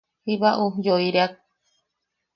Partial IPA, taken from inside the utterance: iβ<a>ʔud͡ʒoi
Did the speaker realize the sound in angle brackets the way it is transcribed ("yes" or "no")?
yes